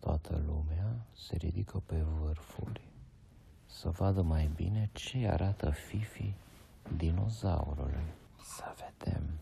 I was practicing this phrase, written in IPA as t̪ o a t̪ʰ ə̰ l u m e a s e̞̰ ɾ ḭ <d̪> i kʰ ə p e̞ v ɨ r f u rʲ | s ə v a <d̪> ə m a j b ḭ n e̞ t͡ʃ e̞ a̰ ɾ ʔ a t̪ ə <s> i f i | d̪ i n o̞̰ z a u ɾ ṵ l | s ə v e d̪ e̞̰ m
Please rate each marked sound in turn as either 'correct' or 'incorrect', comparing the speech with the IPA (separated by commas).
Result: correct, correct, incorrect